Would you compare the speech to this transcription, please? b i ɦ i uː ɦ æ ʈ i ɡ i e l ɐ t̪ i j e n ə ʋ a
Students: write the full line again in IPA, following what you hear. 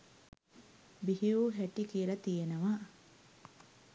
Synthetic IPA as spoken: b i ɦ i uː ɦ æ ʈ i k i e l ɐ t̪ i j e n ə ʋ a

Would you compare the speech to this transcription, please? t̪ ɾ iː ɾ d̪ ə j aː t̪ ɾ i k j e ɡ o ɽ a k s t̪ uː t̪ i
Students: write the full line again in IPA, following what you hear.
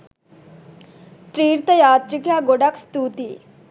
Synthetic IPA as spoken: t̪ ɾ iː ɾ t̪ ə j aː t̪ ɾ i k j a ɡ o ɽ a k s t̪ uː t̪ i

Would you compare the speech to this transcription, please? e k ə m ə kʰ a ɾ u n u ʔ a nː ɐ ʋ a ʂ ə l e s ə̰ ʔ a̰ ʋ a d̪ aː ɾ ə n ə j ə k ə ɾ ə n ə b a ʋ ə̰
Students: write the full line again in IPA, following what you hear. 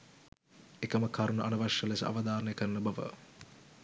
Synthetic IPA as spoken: e k ə m ə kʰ a ɾ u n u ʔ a n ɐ ʋ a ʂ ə l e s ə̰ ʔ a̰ ʋ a d̪ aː ɾ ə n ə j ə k ə ɾ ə n ə b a ʋ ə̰

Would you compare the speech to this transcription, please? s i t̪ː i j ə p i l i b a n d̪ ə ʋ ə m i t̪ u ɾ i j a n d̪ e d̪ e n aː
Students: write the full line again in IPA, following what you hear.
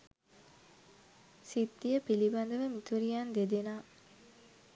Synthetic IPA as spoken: s i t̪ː i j ə p i l i b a n d̪ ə ʋ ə m i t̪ u ɾ i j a n d̪ e d̪ e n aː

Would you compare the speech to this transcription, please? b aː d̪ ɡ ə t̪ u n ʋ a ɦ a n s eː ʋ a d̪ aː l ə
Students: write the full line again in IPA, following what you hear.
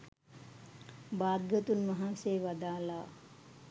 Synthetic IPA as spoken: b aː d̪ ɡ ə t̪ u n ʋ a ɦ a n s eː ʋ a d̪ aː l a

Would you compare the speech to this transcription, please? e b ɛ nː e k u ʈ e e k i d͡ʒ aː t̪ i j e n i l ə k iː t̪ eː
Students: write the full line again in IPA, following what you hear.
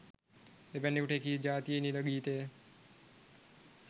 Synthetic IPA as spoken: e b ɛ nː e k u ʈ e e k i d͡ʒ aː t̪ i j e n i l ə ɡ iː t̪ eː

